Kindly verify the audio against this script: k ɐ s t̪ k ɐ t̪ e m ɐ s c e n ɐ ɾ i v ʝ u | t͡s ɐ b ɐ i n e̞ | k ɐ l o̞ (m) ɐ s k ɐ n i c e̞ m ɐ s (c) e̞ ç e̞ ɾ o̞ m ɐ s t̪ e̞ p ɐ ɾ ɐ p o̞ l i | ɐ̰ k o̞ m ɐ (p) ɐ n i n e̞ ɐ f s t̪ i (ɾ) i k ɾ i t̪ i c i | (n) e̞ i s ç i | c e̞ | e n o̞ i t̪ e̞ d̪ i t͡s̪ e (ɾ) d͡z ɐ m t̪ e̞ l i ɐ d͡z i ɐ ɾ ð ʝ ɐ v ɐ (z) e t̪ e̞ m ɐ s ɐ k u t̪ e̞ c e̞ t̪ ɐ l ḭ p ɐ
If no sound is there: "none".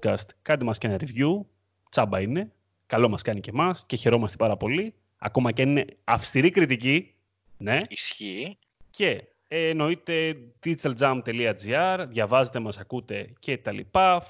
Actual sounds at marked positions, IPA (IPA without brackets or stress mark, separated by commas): m, c, c, ɾ, n, l, z